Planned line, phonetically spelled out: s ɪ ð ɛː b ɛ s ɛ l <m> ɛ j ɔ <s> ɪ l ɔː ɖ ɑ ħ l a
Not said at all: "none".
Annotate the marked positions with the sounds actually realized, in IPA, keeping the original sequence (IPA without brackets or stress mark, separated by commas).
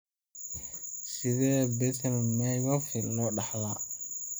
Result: m, f